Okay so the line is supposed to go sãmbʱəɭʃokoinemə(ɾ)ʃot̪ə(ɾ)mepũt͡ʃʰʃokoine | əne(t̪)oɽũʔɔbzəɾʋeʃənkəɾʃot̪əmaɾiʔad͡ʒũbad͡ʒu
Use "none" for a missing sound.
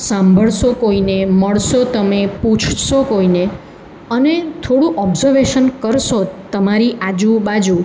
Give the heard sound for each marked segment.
ɭ, none, t̪ʰ

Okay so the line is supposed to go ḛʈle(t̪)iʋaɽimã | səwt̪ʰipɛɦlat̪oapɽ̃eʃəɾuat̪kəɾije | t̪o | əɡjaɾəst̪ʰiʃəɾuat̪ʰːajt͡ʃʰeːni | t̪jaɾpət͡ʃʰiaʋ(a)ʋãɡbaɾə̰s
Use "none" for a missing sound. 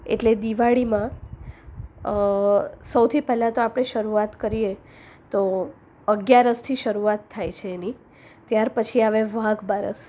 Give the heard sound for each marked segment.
d̪, e

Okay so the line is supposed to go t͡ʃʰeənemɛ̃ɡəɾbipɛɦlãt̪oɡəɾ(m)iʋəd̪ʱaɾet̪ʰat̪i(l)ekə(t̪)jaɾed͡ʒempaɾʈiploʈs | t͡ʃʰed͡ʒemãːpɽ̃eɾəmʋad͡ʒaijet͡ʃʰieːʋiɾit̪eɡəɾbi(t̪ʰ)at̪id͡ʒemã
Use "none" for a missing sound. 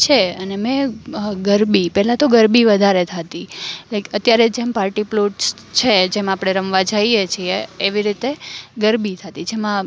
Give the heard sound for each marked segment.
b, l, t̪, t̪ʰ

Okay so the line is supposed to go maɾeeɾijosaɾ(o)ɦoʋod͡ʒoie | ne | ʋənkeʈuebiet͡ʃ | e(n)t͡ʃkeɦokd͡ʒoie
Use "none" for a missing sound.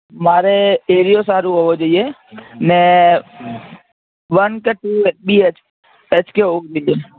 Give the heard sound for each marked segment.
u, none

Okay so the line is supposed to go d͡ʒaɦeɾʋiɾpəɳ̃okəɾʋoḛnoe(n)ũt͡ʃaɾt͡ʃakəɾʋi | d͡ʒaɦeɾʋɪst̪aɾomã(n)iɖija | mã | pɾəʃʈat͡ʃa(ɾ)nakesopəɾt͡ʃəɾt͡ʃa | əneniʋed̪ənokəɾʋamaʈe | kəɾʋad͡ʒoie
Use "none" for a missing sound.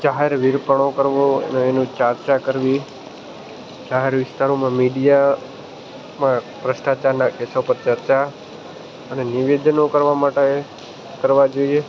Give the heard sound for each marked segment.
n, m, ɾ

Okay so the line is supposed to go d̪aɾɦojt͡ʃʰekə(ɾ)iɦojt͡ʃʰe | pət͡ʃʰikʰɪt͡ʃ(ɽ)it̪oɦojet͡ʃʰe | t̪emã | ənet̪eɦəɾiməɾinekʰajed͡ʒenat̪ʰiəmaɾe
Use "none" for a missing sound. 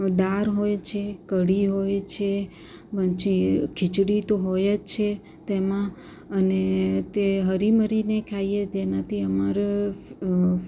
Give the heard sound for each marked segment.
ɽ, ɽ

